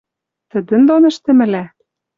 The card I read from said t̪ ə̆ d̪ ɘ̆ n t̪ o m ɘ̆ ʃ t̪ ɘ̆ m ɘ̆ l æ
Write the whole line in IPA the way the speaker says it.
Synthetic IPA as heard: t̪ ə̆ d̪ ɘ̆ n d̪ o n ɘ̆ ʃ t̪ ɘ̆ m ɘ̆ l æ